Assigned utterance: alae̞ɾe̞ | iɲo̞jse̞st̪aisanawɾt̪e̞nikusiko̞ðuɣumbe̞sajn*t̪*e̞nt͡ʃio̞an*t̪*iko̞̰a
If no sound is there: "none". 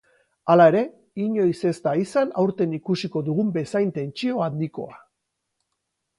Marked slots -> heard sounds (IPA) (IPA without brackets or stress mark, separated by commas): t̪, d̪